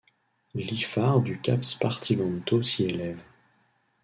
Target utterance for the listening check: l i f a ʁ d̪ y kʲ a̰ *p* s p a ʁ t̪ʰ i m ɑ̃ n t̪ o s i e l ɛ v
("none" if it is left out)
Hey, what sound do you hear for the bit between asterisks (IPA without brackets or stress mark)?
p